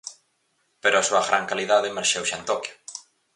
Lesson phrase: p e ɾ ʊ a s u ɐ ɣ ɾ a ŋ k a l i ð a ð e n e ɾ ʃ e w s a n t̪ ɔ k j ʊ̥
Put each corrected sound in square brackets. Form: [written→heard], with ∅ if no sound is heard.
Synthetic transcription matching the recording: p e ɾ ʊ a s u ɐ ɣ ɾ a ŋ k a l i ð a ð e [n→m] e ɾ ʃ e w [s→ʃ] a n t̪ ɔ k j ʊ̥